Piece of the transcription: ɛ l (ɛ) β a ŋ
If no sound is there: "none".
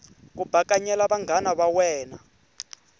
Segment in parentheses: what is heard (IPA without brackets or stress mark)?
a